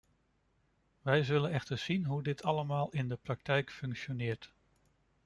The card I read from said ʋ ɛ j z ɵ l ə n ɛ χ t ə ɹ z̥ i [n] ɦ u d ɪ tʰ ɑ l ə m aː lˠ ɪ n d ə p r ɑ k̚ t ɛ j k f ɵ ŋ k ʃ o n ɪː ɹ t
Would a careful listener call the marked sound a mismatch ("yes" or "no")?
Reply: no